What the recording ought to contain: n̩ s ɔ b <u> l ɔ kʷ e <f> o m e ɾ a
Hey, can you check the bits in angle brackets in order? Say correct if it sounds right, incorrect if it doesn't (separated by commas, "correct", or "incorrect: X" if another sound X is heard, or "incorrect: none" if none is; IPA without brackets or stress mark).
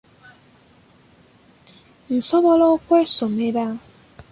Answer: incorrect: ɔ, incorrect: s